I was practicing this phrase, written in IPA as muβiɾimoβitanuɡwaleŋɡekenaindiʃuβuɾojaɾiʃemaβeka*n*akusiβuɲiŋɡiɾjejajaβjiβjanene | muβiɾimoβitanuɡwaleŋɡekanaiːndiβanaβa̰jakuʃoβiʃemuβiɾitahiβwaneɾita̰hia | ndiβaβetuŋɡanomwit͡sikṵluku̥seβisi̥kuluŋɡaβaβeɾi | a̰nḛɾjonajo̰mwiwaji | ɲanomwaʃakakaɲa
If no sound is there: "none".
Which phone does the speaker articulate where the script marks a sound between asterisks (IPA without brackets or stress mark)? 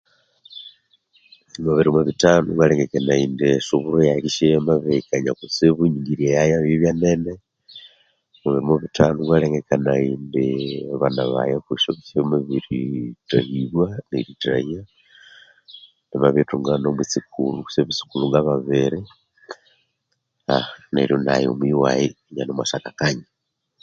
ɲ